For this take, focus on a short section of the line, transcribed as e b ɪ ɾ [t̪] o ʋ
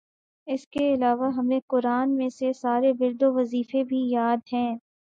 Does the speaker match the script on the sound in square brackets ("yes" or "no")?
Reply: no